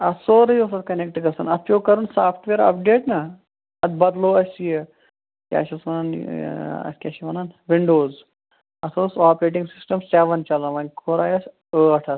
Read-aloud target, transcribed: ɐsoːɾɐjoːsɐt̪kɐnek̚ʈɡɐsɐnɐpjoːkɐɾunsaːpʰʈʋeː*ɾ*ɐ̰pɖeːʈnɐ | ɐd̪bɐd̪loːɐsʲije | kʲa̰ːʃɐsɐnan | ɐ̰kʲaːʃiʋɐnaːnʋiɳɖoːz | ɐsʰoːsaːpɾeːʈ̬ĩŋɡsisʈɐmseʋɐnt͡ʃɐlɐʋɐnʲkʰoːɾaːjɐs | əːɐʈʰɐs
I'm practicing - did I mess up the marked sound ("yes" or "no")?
no